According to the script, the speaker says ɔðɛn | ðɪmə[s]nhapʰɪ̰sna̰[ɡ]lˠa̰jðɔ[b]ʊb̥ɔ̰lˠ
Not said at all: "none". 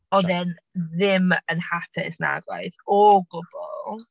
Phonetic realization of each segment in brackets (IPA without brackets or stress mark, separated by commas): none, ɡ, ɡ